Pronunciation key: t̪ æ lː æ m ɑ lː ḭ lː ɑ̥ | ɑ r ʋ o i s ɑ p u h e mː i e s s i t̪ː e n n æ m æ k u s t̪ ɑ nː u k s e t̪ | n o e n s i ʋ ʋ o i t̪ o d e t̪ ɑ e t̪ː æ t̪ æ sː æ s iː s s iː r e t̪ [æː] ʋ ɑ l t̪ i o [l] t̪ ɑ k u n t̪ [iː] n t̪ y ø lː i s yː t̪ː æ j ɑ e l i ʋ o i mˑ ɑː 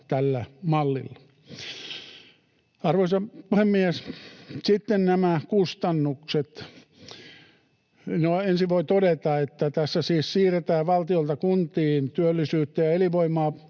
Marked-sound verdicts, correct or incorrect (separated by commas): correct, correct, correct